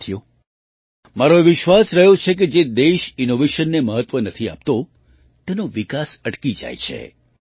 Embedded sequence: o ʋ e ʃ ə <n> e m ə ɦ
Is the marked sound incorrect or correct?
incorrect